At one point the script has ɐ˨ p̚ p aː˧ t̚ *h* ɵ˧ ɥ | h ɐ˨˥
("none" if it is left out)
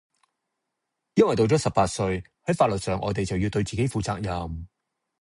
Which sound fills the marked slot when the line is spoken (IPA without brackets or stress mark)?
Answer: s